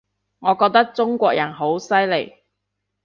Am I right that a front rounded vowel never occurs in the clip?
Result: yes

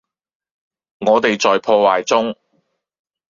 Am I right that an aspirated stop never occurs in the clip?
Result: no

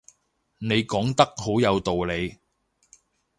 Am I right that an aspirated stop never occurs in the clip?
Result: yes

